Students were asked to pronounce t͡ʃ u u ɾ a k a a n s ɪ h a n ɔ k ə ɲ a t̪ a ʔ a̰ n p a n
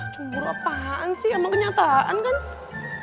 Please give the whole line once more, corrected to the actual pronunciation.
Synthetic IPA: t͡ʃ u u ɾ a p a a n s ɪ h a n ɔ k ə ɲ a t̪ a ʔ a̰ n k a n